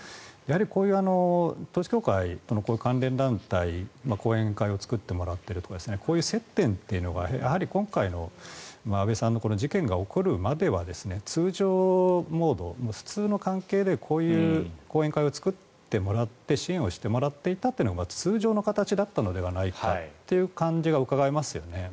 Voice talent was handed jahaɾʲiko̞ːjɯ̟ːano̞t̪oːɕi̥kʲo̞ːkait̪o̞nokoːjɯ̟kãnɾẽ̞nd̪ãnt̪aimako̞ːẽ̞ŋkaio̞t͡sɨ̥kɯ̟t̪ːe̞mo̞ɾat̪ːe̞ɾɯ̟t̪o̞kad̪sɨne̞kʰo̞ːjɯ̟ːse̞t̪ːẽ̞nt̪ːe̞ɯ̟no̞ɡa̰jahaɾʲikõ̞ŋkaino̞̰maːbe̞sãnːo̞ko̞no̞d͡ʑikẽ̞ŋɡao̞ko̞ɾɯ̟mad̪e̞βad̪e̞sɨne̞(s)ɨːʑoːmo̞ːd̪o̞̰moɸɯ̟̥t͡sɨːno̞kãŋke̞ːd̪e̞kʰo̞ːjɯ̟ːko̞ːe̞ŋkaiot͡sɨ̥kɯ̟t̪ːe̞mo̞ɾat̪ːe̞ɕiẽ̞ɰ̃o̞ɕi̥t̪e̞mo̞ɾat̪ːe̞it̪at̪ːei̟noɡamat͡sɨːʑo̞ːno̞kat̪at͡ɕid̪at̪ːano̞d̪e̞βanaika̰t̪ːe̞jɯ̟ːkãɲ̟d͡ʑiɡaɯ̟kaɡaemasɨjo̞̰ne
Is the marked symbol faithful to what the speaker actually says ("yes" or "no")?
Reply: no